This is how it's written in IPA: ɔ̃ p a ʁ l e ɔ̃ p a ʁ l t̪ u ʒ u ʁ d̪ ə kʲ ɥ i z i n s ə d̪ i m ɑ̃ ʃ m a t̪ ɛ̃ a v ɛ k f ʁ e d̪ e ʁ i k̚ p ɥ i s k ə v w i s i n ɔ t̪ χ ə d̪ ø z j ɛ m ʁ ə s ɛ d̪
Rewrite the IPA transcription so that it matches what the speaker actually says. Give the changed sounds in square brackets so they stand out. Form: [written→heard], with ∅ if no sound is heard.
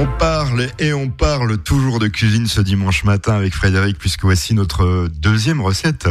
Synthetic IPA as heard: ɔ̃ p a ʁ l e ɔ̃ p a ʁ l t̪ u ʒ u ʁ d̪ ə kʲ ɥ i z i n s ə d̪ i m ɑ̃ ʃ m a t̪ ɛ̃ a v ɛ k f [ʁ→χ] e d̪ e ʁ i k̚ p ɥ i s k ə v w [i→a] s i n ɔ t̪ χ ə d̪ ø z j ɛ m ʁ ə s ɛ [d̪→t̪]